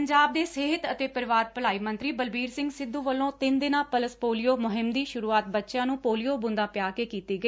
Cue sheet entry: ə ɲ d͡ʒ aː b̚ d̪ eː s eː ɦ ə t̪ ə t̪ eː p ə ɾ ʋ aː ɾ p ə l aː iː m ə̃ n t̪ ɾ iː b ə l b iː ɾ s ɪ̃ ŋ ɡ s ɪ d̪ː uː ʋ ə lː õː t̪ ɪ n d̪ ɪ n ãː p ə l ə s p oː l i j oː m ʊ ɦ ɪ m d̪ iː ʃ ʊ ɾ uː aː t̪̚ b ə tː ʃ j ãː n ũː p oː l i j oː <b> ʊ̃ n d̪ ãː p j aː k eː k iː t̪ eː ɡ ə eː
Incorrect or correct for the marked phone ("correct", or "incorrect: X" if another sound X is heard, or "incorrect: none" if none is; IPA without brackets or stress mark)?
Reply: correct